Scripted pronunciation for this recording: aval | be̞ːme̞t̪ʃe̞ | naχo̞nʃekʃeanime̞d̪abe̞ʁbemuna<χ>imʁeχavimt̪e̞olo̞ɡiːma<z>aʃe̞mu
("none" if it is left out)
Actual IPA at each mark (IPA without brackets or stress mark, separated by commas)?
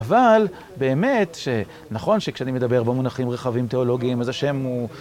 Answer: χ, z